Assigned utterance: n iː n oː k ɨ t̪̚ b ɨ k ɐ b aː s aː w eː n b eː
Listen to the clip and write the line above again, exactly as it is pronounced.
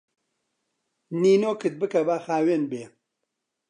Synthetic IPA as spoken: n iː n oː k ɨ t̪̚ b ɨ k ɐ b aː x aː w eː n b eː